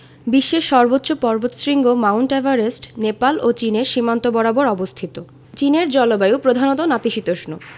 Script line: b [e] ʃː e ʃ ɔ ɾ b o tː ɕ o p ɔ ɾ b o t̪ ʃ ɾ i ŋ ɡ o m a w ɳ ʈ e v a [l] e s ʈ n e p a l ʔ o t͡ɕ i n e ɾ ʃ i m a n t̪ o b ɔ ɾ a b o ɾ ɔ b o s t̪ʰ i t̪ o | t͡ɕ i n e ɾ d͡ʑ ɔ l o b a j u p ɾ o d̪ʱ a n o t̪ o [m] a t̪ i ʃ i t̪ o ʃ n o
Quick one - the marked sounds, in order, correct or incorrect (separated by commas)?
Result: incorrect, incorrect, incorrect